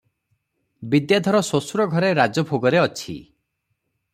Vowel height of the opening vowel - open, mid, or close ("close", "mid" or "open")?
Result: close